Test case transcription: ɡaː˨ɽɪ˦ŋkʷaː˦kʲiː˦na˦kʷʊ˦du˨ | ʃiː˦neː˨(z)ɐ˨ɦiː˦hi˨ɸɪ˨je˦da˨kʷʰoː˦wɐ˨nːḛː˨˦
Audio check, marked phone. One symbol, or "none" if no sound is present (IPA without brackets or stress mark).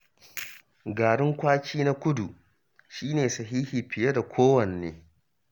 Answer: s